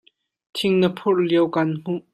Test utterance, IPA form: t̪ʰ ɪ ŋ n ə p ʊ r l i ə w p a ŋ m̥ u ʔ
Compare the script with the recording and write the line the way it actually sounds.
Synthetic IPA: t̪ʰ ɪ ŋ n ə pʰ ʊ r l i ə w k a n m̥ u ʔ

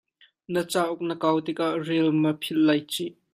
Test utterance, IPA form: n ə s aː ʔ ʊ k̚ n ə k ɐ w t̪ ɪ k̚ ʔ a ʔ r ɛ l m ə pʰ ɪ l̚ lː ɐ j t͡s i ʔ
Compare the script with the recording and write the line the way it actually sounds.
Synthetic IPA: n ə t͡s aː ʔ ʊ k̚ n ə k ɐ w t̪ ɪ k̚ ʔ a ʔ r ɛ l m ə pʰ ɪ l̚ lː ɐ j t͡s i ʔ

